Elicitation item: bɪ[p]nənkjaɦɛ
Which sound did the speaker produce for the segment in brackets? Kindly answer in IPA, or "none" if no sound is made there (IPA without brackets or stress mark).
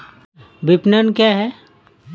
p